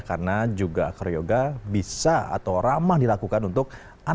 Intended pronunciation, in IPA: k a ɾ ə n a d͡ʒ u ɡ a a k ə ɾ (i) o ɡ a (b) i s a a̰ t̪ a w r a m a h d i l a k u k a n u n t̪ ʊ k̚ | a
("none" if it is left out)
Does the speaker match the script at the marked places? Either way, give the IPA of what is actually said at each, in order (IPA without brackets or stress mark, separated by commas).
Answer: j, b